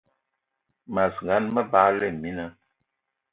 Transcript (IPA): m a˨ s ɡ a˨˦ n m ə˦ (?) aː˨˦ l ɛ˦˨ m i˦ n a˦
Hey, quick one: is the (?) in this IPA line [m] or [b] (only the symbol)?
b